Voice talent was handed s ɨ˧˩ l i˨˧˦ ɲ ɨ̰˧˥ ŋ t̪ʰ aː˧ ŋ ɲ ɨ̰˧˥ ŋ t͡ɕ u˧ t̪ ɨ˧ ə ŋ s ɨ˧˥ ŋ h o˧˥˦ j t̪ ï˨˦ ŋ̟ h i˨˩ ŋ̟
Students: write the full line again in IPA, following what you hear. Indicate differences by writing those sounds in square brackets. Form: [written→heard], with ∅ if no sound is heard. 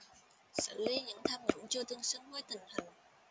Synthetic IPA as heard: s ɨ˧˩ l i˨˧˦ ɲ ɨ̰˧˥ ŋ t̪ʰ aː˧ [ŋ→m] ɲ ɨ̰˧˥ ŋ t͡ɕ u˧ t̪ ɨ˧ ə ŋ s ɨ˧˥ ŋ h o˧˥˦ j t̪ [ï˨˦→ï˨˩] ŋ̟ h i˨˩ ŋ̟